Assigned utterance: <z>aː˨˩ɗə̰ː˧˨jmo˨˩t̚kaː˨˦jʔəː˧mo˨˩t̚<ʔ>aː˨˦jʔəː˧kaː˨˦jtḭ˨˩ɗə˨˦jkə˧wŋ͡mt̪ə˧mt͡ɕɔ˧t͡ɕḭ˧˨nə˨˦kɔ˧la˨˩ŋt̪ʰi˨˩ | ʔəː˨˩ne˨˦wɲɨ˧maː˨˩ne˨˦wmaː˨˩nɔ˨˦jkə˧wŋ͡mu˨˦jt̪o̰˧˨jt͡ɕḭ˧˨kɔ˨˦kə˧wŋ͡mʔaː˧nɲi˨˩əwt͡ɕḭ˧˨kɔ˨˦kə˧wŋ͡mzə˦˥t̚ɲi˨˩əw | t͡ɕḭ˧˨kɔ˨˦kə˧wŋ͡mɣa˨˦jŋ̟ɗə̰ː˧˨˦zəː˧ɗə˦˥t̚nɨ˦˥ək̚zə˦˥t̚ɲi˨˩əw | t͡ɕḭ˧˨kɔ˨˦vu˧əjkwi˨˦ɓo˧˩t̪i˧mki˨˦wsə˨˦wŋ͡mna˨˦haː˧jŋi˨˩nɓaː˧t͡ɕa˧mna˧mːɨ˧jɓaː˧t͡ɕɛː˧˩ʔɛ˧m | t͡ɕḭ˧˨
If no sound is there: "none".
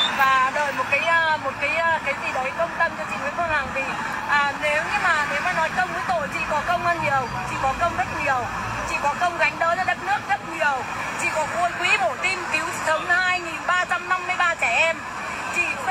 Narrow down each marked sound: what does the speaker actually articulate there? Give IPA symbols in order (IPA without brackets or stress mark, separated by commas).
v, k